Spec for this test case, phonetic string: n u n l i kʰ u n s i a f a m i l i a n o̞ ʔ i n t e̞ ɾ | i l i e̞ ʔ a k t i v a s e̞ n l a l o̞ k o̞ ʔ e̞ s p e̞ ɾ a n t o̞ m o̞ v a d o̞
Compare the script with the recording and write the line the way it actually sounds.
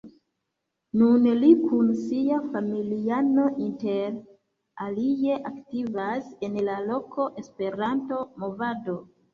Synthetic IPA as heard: n u n l i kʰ u n s i a f a m i l i a n o̞ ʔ i n t e̞ ɾ | a l i e̞ ʔ a k t i v a s e̞ n l a l o̞ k o̞ ʔ e̞ s p e̞ ɾ a n t o̞ m o̞ v a d o̞